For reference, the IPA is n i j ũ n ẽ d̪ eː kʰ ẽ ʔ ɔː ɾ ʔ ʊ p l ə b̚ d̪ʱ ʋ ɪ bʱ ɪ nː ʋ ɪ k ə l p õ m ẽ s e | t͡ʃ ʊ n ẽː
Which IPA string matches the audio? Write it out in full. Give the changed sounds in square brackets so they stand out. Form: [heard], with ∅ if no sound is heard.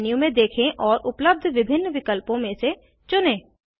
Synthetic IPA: n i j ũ [m] ẽ d̪ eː kʰ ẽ ʔ ɔː ɾ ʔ ʊ p l ə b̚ d̪ʱ ʋ ɪ bʱ ɪ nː ʋ ɪ k ə l p õ m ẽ s e | t͡ʃ ʊ n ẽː